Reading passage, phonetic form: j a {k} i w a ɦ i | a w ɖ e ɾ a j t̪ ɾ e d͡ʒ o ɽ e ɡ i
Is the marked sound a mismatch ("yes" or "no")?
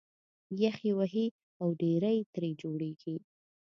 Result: yes